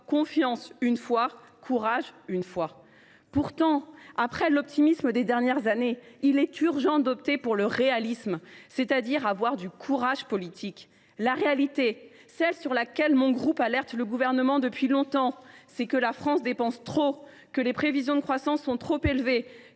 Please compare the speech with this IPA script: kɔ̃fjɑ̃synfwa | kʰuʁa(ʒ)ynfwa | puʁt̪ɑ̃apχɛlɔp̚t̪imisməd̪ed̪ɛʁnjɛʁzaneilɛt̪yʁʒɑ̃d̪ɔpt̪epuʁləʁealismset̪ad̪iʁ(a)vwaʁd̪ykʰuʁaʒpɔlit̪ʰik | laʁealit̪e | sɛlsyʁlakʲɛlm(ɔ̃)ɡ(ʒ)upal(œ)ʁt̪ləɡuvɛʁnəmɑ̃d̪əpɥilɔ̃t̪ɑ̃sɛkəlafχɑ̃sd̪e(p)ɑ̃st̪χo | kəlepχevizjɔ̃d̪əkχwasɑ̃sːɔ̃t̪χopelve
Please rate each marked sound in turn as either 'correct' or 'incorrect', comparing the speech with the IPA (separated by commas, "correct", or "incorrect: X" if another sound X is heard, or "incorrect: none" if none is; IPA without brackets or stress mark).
correct, correct, correct, incorrect: ʁ, incorrect: ɛ, correct